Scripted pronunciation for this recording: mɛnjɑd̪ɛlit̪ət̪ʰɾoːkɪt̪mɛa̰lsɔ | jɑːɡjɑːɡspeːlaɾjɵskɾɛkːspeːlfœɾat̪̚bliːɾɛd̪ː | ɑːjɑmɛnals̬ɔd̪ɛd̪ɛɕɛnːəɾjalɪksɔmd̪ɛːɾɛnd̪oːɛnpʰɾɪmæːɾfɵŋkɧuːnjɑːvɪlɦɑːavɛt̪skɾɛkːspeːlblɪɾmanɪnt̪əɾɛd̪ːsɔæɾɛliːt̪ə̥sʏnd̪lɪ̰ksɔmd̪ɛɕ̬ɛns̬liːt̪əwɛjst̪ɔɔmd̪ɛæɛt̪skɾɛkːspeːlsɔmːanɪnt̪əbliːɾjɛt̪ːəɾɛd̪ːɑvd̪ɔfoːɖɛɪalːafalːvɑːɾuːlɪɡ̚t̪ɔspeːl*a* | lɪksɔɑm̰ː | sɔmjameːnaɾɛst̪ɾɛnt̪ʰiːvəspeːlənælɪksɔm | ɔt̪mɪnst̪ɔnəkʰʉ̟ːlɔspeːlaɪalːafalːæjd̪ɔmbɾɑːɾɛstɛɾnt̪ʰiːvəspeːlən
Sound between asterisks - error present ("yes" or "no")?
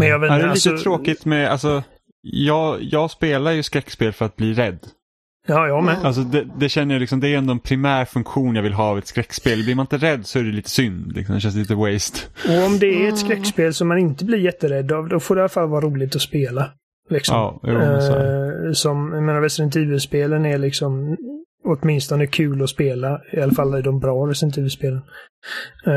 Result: no